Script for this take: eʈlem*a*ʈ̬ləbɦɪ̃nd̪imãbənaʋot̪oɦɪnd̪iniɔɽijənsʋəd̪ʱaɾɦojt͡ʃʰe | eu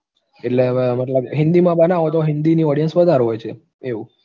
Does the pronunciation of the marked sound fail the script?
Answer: yes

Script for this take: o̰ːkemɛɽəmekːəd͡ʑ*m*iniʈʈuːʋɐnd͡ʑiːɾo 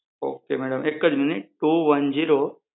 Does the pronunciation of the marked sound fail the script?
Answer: no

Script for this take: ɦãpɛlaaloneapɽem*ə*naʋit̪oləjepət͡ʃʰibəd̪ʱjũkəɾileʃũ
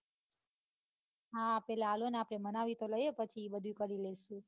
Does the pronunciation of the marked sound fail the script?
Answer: no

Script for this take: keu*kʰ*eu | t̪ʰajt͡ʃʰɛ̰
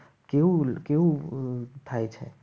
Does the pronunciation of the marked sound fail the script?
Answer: yes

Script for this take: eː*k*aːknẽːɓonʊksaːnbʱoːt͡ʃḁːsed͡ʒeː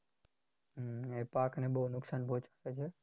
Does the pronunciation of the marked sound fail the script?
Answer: yes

